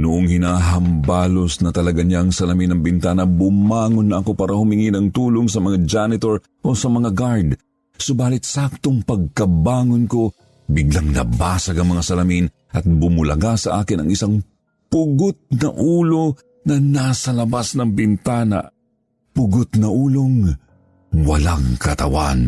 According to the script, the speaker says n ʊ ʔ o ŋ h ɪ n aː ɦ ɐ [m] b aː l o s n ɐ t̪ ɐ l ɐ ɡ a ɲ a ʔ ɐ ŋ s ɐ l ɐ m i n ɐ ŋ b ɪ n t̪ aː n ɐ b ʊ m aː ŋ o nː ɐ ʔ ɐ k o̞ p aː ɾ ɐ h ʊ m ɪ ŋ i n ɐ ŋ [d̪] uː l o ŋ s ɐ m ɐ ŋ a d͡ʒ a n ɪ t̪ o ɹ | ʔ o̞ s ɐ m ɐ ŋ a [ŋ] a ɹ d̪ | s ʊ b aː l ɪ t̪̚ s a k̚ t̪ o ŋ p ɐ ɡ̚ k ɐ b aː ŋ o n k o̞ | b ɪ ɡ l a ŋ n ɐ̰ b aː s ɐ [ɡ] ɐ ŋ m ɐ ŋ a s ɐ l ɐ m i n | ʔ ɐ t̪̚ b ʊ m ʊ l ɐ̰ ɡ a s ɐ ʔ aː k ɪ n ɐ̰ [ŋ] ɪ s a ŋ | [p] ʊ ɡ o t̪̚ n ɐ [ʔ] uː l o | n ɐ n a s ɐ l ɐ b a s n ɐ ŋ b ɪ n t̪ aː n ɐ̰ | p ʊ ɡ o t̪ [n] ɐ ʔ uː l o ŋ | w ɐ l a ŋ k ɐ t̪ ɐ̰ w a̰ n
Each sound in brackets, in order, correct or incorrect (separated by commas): correct, incorrect, incorrect, correct, correct, correct, correct, correct